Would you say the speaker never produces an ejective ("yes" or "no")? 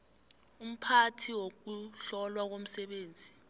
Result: yes